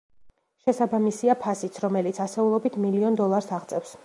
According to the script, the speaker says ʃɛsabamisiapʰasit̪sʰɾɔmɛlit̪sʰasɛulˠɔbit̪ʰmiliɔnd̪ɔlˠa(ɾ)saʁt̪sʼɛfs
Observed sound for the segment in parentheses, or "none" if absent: ɾ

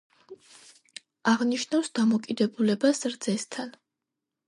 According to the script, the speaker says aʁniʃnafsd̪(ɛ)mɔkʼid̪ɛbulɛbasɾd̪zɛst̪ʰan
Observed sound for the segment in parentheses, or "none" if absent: a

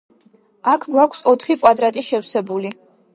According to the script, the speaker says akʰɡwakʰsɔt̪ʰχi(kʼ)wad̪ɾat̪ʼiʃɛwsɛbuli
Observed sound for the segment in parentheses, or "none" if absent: kʼ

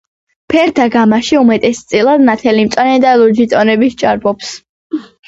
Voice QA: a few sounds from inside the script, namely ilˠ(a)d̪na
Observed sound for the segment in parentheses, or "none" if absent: a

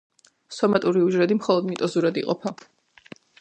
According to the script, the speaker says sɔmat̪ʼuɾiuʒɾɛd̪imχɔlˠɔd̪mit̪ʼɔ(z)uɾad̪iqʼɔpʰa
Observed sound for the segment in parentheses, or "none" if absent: z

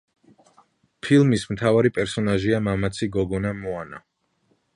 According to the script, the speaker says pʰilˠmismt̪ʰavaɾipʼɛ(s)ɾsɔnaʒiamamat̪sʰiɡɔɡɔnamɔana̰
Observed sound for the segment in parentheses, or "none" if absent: none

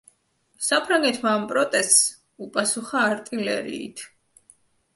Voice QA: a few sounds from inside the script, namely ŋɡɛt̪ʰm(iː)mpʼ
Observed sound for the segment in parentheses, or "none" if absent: aː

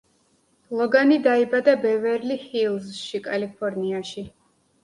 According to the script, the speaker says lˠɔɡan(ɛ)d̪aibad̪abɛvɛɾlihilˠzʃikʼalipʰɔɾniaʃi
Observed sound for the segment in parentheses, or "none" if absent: i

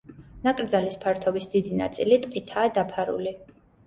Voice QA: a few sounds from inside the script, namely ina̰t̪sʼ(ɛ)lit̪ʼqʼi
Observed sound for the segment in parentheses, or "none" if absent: i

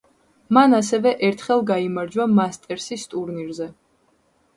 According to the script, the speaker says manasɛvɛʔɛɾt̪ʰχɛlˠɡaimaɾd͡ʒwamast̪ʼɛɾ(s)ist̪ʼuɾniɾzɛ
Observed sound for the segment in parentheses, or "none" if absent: s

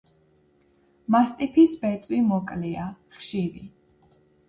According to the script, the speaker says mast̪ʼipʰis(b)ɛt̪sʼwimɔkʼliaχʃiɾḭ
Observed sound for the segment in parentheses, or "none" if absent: b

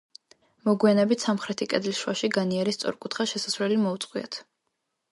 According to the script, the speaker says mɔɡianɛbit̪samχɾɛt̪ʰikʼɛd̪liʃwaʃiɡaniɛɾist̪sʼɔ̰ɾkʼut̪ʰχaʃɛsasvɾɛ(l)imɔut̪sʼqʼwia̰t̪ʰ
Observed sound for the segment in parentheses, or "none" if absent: l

